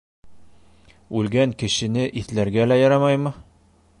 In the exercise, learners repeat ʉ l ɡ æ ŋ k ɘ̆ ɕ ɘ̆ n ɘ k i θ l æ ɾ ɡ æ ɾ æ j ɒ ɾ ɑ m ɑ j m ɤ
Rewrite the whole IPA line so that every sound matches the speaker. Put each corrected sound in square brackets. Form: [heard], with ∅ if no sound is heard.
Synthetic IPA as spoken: ʉ l ɡ æ ŋ k ɘ̆ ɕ ɘ̆ n ɘ [ʔ] i θ l æ ɾ ɡ æ [l] æ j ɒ ɾ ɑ m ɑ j m ɤ